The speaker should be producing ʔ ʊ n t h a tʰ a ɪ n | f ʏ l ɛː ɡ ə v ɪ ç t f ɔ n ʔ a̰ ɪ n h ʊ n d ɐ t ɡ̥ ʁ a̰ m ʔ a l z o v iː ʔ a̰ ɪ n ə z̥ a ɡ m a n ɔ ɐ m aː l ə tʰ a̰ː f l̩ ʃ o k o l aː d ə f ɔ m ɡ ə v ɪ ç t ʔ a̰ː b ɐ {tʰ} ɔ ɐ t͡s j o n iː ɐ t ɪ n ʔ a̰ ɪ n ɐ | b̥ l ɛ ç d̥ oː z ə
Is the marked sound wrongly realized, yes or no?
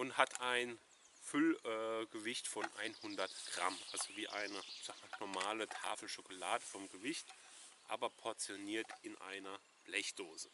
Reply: yes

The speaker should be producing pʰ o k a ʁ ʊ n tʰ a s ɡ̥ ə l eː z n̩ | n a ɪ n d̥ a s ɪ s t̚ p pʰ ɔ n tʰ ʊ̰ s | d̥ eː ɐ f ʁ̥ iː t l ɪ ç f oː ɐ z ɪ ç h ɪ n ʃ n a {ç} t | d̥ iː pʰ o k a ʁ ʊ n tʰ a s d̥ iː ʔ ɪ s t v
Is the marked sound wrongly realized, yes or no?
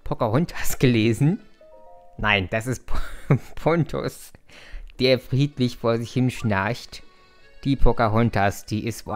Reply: no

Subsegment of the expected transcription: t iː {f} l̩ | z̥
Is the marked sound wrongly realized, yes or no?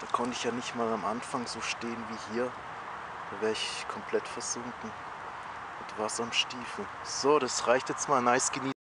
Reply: no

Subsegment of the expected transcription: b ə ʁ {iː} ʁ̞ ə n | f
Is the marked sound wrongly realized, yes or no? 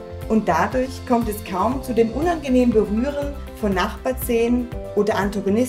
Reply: yes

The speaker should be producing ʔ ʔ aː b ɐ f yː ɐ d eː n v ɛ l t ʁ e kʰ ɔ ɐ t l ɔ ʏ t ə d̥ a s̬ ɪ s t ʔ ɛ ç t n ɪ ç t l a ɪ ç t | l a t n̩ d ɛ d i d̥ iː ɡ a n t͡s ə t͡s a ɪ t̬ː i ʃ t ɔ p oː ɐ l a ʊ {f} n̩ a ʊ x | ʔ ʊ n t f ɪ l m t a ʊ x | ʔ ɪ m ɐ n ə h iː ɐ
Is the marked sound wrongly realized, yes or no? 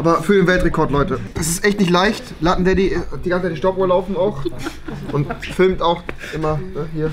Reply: no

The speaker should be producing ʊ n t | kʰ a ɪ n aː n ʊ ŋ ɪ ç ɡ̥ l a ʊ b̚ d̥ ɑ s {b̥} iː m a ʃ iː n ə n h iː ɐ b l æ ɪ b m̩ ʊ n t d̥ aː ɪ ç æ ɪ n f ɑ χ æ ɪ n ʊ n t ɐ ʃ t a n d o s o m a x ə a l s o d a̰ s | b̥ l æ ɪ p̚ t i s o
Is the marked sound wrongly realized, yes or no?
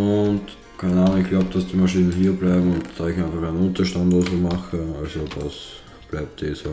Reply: yes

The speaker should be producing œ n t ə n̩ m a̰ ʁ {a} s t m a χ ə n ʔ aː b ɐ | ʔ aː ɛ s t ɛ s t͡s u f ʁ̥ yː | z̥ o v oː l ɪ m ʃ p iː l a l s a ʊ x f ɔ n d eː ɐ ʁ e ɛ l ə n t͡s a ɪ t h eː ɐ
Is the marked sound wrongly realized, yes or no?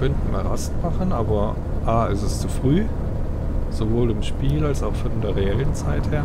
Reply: no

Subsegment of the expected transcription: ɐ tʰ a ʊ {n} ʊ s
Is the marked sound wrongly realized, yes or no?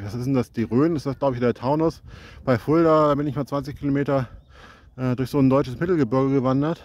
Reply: no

